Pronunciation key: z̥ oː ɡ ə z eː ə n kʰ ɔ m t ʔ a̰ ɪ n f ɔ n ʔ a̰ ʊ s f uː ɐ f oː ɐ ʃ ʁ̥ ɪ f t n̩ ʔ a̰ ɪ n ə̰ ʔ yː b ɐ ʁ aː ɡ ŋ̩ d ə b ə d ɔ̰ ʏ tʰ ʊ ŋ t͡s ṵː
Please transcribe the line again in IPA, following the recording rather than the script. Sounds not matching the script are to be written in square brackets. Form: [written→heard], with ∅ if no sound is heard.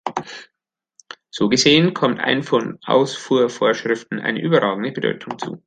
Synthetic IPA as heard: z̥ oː ɡ ə z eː ə n kʰ ɔ m t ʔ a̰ ɪ n f ɔ n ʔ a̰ ʊ s f uː ɐ f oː ɐ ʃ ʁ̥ ɪ f t n̩ ʔ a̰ ɪ n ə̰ ʔ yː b ɐ ʁ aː ɡ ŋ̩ d ə b ə d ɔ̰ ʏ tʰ ʊ ŋ t͡s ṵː